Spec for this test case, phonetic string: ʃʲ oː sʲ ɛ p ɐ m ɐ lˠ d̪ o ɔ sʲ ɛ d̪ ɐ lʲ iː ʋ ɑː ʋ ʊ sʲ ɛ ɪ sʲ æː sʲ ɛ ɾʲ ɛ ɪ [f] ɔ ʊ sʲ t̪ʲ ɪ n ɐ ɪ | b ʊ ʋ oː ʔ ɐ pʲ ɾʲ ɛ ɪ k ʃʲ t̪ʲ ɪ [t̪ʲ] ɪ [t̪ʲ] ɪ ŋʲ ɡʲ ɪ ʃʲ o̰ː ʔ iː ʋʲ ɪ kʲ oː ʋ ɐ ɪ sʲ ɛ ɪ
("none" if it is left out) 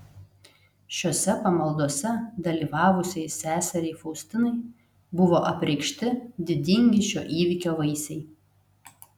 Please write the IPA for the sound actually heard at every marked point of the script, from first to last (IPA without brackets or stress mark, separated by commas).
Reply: f, d̪ʲ, d̪ʲ